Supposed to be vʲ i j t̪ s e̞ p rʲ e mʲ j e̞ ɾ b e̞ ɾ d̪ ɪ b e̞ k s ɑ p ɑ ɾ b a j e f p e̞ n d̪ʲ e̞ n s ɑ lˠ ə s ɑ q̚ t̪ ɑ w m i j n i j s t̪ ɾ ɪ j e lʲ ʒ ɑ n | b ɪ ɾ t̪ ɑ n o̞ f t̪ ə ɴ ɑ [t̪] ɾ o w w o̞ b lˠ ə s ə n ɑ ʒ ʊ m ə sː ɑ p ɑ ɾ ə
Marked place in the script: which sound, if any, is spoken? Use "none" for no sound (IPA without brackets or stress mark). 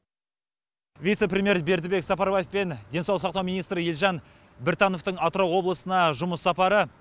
t̪